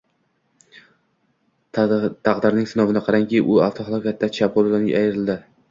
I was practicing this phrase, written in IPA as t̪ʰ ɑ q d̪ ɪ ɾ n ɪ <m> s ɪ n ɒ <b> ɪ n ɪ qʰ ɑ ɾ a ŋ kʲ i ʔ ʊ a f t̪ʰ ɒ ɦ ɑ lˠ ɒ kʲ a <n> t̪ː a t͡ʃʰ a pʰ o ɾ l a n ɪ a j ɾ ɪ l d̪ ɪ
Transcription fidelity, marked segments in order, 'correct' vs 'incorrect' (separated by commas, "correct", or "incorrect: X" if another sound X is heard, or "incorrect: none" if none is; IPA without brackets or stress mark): incorrect: ŋ, incorrect: v, incorrect: none